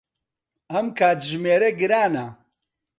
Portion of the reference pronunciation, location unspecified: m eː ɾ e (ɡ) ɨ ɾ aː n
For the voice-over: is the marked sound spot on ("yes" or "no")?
yes